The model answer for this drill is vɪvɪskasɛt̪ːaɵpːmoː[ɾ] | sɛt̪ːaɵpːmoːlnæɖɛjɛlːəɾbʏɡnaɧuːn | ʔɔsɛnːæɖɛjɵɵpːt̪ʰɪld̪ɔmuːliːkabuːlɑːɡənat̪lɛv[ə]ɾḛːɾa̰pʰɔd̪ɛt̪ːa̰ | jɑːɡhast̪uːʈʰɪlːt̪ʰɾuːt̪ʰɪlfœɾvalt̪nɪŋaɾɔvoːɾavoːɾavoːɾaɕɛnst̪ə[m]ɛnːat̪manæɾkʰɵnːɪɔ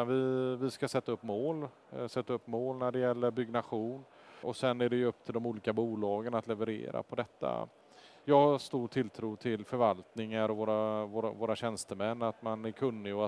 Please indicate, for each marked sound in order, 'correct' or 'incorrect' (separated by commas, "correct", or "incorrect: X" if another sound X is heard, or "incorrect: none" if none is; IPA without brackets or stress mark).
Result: incorrect: l, correct, correct